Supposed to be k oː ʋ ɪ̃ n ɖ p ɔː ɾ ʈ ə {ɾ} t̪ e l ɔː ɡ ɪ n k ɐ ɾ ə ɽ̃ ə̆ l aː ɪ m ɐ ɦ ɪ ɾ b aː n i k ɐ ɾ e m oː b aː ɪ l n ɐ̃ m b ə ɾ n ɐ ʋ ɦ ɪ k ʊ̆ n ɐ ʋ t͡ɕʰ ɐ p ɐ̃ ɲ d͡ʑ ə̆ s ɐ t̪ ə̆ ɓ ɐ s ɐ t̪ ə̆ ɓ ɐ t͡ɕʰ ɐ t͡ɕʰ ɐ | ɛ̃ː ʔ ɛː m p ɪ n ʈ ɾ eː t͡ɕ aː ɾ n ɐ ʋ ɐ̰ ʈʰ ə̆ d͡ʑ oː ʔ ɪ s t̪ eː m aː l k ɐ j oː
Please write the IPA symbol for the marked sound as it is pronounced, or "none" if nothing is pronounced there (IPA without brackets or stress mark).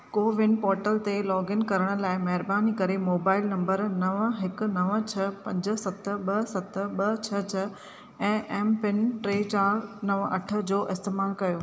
l